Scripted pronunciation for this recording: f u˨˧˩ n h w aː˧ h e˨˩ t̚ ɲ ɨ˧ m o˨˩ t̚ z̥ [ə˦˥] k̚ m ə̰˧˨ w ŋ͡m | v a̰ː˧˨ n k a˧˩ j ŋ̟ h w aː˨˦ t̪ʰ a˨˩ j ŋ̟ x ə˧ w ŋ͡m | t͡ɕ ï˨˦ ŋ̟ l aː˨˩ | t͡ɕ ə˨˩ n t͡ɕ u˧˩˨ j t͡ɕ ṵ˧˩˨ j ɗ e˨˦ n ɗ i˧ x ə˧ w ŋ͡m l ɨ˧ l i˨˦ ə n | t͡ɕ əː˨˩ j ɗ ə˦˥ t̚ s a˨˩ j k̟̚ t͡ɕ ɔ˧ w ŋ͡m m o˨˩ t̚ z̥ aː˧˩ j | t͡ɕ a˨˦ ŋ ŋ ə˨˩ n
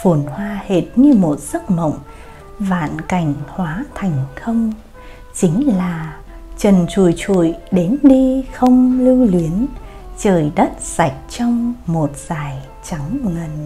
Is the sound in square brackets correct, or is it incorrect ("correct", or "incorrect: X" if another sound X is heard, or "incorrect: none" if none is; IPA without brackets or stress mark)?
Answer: correct